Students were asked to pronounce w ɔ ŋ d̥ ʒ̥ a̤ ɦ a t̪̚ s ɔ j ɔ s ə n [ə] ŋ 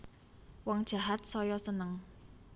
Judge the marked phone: correct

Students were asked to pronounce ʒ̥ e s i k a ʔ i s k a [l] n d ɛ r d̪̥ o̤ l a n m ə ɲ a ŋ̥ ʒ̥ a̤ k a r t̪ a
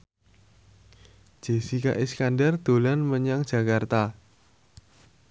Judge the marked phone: incorrect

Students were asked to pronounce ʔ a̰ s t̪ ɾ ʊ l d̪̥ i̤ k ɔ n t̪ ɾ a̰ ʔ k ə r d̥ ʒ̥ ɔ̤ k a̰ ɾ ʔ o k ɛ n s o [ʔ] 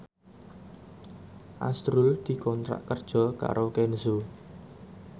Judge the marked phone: incorrect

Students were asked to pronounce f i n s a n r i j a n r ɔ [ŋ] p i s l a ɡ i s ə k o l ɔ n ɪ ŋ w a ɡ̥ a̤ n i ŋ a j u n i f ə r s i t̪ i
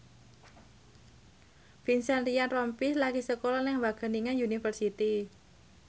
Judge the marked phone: incorrect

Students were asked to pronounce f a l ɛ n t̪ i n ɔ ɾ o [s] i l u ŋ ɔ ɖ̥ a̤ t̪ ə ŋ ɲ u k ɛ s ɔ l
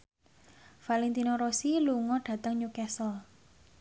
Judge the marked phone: correct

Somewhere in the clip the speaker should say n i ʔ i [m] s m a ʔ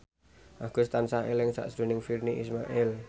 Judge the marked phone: incorrect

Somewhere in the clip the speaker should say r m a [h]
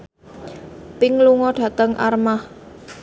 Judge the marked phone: correct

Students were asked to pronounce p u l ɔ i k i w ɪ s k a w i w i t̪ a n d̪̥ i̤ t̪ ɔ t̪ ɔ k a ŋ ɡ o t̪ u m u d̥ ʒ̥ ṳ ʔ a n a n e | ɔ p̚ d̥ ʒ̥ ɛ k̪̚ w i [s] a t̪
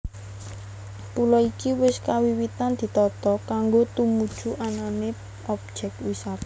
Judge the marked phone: correct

